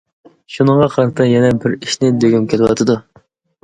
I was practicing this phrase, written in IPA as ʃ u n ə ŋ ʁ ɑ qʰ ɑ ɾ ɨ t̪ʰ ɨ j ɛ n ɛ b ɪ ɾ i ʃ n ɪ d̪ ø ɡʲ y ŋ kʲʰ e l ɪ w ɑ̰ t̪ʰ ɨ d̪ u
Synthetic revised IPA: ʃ u n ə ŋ ʁ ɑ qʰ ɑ ɾ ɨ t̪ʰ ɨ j ɛ n ɛ b ɪ ɾ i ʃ n ɪ d̪ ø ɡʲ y m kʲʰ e l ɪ w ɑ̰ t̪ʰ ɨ d̪ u